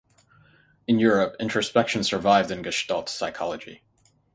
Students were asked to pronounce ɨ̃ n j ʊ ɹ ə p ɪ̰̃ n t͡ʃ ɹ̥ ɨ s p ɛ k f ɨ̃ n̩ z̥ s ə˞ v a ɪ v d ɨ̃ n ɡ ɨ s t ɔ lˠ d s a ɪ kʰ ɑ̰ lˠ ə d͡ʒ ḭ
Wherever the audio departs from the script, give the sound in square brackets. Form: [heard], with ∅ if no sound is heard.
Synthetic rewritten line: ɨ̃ n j ʊ ɹ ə p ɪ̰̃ n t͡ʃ ɹ̥ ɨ s p ɛ k [ʃ] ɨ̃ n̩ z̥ s ə˞ v a ɪ v d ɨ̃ n ɡ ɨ [ʃ] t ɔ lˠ [t] s a ɪ kʰ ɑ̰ lˠ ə d͡ʒ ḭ